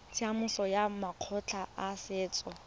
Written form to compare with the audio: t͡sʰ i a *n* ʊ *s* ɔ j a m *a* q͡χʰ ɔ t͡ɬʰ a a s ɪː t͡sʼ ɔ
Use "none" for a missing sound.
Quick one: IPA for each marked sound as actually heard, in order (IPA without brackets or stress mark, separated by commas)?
m, s, a